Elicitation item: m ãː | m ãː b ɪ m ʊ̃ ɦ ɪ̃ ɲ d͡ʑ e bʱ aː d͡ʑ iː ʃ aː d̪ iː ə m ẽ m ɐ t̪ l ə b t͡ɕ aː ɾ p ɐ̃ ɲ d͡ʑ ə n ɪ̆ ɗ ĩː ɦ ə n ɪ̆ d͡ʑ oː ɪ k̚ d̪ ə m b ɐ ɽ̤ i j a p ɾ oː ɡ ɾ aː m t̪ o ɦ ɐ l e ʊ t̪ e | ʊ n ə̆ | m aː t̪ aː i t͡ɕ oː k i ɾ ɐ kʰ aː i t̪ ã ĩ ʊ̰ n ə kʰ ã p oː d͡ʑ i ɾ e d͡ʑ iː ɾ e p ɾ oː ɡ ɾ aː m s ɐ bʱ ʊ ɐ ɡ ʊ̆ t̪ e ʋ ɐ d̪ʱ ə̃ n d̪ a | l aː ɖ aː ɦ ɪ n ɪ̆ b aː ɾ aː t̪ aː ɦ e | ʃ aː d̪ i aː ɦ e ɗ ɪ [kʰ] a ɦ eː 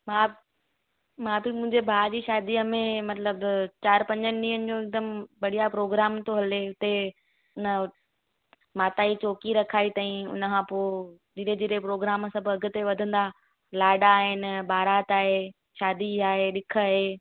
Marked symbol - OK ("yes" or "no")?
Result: yes